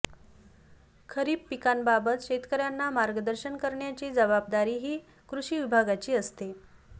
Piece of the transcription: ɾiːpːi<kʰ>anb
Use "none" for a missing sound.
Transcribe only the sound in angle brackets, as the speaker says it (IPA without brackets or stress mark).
k